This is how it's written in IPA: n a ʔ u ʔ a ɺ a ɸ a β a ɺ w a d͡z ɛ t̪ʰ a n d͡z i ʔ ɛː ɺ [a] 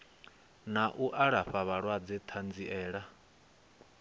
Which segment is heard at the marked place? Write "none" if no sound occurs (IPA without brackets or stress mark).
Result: a